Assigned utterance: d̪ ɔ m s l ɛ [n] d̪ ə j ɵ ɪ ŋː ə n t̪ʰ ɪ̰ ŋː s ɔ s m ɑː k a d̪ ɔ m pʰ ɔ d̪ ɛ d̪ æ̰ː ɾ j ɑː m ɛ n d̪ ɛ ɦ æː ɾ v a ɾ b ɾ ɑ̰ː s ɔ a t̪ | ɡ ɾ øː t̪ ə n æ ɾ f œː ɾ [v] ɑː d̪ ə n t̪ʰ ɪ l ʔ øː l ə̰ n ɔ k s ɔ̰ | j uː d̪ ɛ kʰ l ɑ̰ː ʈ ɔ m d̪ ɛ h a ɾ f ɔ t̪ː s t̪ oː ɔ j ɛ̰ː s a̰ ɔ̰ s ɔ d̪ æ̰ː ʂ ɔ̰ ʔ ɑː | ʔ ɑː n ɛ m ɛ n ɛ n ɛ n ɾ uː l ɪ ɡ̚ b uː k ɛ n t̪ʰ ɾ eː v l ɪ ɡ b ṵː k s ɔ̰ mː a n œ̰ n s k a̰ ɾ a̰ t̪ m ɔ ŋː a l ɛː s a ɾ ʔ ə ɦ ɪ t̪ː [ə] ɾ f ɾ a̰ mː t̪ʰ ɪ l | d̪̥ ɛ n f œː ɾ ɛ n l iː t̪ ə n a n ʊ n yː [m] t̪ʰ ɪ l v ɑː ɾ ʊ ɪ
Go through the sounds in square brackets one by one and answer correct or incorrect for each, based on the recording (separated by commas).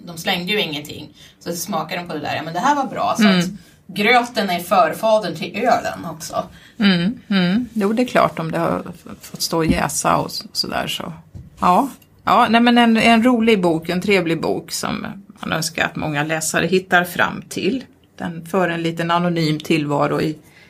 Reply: incorrect, incorrect, incorrect, correct